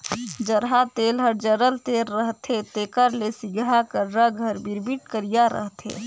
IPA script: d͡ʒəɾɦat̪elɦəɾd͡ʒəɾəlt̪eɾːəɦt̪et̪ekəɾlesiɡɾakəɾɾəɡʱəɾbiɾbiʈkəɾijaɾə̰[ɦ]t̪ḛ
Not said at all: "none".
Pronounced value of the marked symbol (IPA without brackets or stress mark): ɦ